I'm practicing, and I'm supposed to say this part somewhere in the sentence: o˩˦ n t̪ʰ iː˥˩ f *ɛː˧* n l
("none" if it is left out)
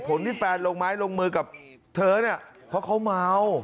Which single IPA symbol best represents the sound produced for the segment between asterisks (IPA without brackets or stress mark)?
ɛː˧